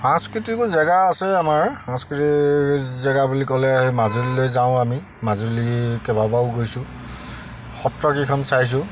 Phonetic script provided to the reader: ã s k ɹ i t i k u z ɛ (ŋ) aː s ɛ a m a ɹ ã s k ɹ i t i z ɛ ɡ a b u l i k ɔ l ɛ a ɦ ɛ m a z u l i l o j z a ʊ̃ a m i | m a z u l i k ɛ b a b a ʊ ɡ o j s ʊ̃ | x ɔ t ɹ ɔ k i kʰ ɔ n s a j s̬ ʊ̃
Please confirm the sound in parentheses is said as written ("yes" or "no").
no